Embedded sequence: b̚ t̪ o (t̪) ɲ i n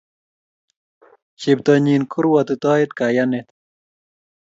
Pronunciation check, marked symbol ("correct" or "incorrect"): incorrect